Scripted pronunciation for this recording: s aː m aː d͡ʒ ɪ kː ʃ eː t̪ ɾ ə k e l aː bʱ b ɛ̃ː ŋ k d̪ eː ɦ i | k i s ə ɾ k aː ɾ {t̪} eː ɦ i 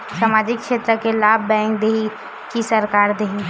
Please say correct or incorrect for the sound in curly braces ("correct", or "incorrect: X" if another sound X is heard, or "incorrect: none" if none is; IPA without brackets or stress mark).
incorrect: d̪